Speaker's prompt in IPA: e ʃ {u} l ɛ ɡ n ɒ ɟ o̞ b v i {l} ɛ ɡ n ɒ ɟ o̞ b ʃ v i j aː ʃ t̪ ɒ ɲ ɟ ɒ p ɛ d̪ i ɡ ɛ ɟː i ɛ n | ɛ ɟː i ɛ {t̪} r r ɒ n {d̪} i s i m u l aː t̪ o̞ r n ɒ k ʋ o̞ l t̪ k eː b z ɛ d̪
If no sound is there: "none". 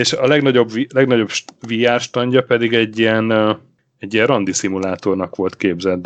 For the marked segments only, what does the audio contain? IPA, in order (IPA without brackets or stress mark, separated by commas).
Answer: ɒ, l, none, d̪